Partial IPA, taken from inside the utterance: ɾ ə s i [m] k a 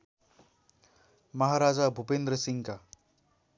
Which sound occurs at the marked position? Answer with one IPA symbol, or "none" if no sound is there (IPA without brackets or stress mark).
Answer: ŋ